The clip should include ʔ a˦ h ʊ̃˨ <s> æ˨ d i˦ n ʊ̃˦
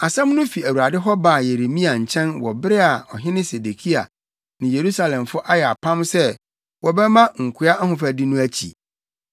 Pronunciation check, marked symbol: incorrect: f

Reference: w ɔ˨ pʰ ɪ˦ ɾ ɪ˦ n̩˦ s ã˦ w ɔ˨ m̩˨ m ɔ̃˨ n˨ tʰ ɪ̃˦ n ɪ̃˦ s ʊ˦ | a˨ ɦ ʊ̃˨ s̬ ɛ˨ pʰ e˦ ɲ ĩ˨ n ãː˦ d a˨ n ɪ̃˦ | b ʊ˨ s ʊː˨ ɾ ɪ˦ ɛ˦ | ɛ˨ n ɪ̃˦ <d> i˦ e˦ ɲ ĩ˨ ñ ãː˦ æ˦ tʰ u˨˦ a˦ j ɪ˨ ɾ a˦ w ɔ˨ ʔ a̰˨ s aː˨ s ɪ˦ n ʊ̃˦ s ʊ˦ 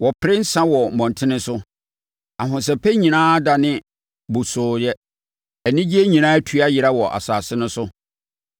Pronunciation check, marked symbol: incorrect: d͡ʑ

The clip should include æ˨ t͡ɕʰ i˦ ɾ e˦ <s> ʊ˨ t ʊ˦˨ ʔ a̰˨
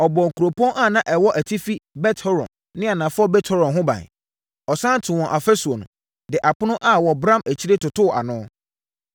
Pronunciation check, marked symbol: incorrect: t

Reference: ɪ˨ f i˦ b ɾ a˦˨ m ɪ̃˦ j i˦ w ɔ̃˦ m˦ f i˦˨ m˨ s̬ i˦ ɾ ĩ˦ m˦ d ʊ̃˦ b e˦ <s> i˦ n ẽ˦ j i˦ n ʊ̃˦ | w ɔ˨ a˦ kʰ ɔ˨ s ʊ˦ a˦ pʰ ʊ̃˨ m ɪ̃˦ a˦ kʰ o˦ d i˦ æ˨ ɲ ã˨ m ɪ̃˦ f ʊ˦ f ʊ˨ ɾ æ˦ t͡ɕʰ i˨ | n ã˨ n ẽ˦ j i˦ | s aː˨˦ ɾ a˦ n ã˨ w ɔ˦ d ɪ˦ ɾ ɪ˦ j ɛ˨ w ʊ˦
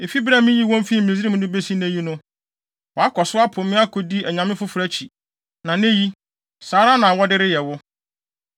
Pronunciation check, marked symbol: correct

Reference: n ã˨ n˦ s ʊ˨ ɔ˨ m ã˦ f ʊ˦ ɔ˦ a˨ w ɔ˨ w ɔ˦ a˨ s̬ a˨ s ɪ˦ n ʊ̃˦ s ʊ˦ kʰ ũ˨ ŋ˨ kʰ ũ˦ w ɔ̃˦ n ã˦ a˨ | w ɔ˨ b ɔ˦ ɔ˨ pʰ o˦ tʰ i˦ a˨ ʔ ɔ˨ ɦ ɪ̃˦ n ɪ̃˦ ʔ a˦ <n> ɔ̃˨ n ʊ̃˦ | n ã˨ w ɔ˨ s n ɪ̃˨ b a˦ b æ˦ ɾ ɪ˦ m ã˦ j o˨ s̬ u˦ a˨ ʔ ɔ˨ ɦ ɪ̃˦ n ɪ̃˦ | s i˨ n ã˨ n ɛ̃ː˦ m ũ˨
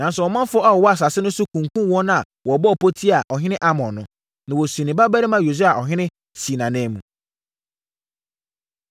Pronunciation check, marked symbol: incorrect: m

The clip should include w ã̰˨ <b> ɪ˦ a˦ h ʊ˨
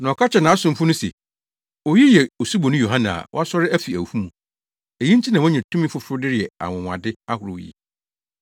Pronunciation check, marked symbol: incorrect: d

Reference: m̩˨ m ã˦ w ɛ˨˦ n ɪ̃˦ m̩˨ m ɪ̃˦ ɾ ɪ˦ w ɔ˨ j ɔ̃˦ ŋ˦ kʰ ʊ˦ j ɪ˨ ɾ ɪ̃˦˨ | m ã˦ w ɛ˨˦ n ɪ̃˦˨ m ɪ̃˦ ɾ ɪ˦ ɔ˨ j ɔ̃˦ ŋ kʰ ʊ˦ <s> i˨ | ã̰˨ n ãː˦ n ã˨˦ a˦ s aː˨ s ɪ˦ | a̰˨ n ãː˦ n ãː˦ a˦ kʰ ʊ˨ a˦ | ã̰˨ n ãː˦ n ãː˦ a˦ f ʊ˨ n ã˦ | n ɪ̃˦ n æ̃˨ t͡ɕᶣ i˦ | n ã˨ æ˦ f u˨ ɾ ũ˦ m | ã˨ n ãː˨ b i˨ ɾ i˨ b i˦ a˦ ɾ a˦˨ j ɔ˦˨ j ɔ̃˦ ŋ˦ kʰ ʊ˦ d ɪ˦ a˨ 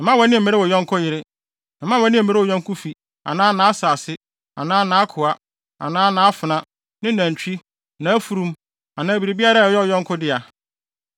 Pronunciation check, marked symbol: incorrect: f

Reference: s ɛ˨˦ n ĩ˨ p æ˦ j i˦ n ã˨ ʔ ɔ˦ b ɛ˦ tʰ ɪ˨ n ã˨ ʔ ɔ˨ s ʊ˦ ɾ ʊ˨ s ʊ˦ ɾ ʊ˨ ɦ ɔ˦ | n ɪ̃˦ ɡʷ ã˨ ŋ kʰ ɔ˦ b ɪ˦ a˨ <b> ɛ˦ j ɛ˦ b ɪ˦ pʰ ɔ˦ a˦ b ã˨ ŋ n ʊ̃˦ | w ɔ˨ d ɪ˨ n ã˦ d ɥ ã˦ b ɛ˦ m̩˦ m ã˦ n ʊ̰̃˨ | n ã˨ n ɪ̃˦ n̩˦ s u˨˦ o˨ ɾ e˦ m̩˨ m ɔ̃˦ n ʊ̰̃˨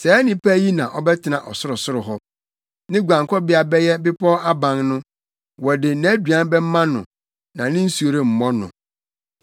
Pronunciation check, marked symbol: correct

